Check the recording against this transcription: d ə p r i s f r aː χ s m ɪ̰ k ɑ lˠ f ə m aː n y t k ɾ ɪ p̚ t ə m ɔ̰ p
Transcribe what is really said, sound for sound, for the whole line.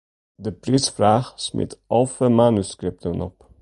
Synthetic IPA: d ə p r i s f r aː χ s m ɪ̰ t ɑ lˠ f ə m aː n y s k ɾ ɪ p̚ t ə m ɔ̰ p